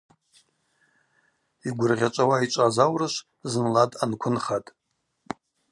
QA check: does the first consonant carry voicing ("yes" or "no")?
yes